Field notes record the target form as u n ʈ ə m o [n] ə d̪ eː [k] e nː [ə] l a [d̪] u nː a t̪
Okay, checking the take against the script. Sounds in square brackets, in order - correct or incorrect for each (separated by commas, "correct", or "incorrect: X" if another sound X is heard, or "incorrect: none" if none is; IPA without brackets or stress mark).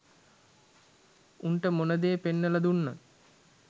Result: correct, incorrect: p, correct, correct